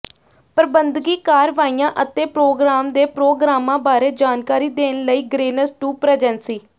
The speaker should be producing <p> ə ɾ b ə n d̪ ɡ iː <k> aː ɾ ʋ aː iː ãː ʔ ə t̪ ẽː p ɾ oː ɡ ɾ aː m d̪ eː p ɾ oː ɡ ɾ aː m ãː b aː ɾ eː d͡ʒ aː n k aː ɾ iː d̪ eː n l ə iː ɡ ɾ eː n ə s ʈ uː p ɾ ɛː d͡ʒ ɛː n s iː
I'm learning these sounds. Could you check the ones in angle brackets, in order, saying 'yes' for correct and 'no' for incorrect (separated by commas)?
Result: yes, yes